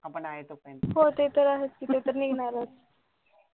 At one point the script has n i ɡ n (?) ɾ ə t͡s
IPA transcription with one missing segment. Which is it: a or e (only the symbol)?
a